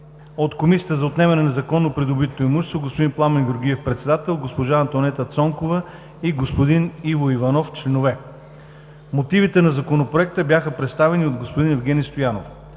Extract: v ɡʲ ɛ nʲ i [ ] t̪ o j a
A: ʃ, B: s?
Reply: B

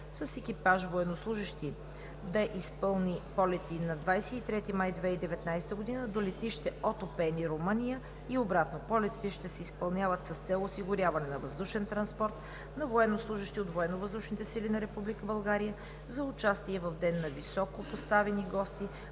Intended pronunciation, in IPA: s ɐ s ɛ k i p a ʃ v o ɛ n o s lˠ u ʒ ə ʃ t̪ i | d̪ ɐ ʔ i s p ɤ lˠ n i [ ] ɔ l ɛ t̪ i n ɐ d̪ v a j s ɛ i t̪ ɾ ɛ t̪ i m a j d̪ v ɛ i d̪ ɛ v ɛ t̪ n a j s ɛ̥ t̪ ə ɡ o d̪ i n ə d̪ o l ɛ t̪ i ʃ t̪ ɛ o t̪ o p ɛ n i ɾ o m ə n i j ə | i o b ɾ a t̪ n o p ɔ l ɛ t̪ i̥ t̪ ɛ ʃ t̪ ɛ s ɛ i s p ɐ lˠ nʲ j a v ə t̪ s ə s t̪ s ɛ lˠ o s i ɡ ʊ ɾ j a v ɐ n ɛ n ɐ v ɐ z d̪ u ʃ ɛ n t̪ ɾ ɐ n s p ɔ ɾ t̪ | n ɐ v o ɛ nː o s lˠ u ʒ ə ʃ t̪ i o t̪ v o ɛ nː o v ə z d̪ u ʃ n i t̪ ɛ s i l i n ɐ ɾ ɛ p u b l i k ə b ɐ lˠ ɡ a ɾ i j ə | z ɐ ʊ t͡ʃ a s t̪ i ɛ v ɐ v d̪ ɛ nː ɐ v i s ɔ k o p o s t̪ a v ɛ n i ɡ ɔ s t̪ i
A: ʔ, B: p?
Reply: B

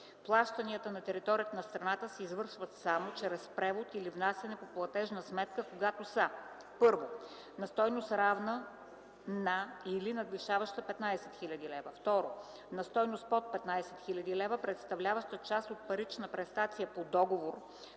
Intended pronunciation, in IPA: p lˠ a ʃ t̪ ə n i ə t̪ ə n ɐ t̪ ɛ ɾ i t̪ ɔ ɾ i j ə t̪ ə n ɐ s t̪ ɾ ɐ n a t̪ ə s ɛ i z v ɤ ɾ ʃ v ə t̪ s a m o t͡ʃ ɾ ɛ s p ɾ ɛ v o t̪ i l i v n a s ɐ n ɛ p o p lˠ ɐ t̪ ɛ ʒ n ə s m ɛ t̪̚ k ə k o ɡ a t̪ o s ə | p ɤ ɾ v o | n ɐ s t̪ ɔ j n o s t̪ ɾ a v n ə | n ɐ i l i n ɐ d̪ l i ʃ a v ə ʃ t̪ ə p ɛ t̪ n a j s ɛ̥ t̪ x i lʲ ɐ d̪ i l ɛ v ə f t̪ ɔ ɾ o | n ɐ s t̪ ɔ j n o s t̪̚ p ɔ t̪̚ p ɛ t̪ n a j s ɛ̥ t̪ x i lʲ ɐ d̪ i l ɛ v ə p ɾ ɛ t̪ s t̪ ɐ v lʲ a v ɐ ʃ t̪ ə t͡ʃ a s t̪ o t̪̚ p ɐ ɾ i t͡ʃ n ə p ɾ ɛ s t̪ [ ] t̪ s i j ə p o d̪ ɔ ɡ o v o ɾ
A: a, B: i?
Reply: A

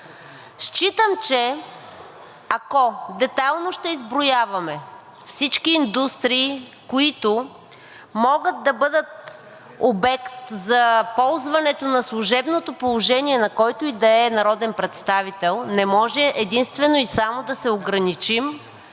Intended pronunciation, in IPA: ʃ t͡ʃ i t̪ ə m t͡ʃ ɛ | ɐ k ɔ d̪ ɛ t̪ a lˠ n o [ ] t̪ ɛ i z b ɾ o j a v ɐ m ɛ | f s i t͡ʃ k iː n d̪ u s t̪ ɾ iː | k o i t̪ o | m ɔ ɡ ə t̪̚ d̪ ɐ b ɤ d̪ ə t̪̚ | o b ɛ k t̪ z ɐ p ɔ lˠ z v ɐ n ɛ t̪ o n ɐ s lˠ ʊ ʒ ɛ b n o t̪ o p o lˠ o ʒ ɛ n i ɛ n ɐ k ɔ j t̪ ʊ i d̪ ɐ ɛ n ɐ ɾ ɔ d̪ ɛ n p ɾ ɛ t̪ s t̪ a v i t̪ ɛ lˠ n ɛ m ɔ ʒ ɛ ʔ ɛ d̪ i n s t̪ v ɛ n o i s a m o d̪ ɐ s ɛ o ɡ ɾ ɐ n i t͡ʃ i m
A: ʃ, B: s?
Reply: A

